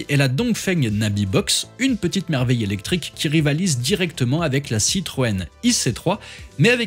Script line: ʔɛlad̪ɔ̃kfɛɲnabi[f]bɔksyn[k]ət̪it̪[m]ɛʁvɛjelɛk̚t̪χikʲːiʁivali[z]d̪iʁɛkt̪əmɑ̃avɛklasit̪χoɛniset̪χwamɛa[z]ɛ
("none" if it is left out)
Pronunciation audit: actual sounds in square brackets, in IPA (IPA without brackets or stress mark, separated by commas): none, p, m, z, v